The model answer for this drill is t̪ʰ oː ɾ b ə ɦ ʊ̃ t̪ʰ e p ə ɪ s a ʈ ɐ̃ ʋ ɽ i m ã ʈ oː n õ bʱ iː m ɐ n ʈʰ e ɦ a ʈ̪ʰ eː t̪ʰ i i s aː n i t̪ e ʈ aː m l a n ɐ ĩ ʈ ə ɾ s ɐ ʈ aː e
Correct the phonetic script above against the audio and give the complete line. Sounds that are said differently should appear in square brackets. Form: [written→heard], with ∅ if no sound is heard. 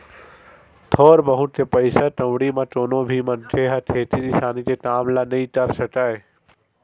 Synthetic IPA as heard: t̪ʰ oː ɾ b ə ɦ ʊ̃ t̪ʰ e p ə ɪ s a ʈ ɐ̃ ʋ ɽ i m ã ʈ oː n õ bʱ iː m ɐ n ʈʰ e ɦ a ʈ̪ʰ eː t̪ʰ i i s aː n i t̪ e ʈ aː m l a n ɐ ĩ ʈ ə ɾ s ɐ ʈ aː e